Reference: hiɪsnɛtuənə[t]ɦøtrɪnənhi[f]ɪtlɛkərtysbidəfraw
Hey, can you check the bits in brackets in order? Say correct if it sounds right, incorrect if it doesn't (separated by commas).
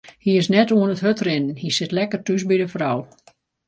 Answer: correct, incorrect